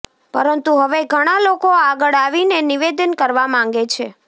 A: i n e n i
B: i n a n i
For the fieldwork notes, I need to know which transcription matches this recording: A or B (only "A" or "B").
A